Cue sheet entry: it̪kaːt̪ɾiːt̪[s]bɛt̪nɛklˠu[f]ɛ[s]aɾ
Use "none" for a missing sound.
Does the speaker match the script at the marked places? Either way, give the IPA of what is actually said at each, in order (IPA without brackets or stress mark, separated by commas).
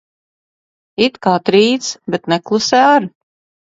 s, s, none